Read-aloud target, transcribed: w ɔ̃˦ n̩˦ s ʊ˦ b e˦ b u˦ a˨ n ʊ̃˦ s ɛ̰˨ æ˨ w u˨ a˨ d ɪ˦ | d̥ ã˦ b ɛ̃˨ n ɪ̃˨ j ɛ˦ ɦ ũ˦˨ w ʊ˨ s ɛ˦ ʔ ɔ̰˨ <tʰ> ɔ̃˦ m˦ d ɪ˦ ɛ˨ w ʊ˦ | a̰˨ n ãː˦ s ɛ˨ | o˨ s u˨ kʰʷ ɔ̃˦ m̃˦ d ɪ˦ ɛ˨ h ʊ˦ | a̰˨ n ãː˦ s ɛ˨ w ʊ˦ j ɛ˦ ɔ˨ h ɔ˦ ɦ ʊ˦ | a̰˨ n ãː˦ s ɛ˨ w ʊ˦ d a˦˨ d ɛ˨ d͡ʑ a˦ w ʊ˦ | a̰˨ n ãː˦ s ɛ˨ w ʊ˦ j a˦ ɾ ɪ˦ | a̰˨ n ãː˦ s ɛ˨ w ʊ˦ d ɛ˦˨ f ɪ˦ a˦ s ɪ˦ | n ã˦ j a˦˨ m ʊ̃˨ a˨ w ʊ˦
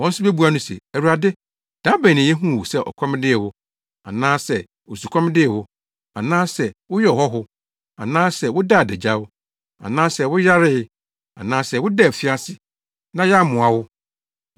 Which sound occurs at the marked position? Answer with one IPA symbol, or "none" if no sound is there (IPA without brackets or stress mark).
kʰ